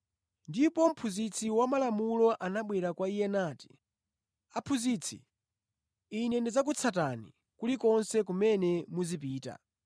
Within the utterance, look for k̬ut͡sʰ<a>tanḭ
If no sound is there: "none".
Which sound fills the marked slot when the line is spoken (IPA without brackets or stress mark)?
a